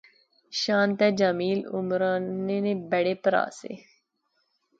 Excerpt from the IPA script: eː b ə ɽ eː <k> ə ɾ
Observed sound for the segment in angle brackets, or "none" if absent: p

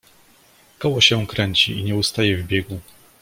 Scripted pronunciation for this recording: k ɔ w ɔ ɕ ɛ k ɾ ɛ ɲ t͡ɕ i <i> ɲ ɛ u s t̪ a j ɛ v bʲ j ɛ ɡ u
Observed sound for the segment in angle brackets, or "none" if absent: i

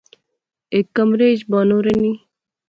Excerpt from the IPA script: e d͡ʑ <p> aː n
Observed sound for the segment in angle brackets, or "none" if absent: b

